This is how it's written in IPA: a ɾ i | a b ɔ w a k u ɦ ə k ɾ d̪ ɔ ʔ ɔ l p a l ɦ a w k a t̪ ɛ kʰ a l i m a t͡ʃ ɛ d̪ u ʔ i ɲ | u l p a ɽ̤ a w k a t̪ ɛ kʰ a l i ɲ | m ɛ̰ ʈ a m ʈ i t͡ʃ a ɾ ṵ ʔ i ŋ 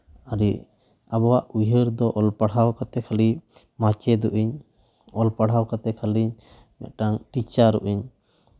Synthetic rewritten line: a ɾ i | a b ɔ w a ʔ u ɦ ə ɾ d̪ ɔ ʔ ɔ l p a ɽ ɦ a w k a t̪ ɛ kʰ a l i m a t͡ʃ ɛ d̪ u ʔ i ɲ | ɔ l p a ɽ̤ a w k a t̪ ɛ kʰ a l i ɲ | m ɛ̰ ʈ a ŋ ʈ i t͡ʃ a ɾ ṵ ʔ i ɲ